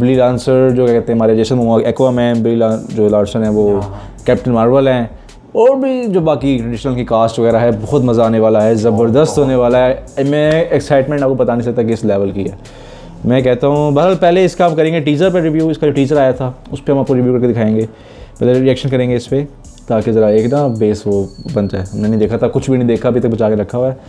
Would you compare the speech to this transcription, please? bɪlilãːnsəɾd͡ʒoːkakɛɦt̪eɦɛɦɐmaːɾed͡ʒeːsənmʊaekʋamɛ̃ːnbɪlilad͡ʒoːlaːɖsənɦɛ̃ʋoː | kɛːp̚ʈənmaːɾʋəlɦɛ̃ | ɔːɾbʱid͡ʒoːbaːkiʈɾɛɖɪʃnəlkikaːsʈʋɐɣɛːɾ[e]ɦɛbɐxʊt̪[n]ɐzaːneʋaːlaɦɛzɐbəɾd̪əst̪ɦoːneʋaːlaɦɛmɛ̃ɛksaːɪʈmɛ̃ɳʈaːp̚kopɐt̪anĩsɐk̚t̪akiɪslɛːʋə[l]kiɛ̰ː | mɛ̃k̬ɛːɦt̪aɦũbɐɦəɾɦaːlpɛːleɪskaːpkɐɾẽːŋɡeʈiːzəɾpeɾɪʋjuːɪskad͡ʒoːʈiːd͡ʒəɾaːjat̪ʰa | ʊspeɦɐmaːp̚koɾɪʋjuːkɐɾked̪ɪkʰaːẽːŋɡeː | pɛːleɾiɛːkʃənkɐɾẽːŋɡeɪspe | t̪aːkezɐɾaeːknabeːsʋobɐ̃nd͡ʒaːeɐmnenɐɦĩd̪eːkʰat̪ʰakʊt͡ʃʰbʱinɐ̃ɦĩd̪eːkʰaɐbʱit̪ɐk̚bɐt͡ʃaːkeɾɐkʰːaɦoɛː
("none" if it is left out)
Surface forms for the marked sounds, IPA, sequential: a, m, l

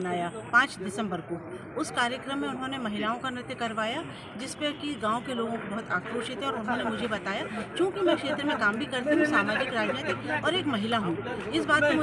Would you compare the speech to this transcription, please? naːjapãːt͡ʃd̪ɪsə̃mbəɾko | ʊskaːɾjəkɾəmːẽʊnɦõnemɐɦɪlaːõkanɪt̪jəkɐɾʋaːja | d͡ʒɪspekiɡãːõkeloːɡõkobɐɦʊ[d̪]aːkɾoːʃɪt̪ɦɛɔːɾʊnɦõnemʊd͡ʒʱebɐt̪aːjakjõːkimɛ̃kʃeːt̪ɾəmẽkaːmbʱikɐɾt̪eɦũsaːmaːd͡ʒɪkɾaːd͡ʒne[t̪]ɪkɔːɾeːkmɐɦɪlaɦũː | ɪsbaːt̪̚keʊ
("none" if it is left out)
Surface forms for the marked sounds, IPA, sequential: t̪, t̪

